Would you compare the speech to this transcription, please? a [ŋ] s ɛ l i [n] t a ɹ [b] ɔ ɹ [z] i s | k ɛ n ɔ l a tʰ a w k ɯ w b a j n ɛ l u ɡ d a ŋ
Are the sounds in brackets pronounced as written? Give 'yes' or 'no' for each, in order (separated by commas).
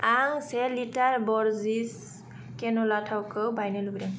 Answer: yes, no, yes, yes